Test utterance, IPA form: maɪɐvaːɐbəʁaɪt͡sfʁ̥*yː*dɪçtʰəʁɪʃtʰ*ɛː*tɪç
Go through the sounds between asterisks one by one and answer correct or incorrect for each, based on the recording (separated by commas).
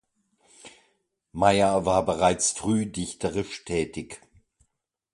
correct, correct